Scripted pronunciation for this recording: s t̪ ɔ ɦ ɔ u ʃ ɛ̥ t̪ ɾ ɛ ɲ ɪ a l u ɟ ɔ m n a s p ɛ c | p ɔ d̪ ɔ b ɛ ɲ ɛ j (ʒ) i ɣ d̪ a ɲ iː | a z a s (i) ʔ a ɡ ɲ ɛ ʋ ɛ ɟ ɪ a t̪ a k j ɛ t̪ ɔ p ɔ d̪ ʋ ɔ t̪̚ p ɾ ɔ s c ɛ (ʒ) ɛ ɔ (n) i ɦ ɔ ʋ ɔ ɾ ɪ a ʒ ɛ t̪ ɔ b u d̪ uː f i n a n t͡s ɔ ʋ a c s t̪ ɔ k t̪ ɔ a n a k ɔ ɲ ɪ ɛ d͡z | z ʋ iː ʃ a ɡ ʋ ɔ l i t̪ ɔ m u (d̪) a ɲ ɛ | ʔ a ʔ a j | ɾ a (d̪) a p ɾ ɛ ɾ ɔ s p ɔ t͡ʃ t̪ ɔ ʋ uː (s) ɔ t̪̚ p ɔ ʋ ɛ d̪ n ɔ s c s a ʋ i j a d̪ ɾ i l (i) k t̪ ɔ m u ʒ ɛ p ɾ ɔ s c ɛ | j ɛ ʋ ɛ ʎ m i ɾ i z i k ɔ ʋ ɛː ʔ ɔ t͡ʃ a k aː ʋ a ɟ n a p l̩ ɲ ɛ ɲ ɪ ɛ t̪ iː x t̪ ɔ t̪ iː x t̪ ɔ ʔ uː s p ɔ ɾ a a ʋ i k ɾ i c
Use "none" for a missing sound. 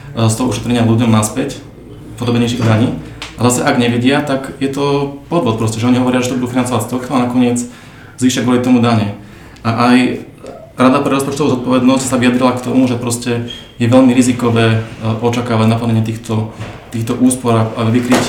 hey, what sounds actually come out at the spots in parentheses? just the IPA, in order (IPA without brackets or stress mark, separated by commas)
ʃ, ɛ, ʒ, ɲ, d̪, d̪, z, a